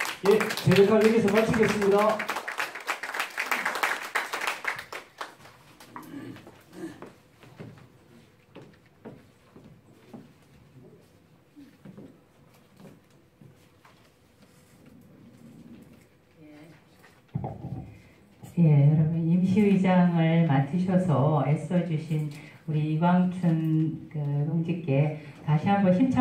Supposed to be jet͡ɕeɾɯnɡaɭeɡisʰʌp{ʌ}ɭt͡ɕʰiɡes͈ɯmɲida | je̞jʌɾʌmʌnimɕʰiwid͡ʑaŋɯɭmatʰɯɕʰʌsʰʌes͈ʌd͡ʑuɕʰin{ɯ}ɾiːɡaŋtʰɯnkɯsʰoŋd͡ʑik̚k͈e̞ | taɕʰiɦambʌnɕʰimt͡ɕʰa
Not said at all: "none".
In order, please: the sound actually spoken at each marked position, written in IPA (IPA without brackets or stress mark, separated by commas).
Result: a, u